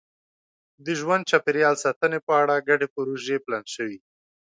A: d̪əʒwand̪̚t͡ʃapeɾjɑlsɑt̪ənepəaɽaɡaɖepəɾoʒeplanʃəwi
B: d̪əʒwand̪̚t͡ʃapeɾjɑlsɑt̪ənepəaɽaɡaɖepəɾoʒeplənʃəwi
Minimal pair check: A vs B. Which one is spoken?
A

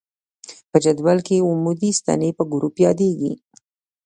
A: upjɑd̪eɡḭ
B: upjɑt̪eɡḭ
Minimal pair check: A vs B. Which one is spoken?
A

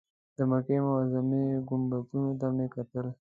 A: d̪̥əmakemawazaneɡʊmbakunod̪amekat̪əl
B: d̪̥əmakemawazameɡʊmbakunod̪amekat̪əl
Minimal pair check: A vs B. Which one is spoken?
B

